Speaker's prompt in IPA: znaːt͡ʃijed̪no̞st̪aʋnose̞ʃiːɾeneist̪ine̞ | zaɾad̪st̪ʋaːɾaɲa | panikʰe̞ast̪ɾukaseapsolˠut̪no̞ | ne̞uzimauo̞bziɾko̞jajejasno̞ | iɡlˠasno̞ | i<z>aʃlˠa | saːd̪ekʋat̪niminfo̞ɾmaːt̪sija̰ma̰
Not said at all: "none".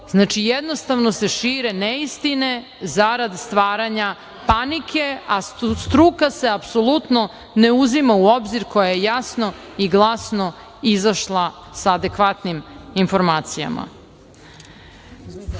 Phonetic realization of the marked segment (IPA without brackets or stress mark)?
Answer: z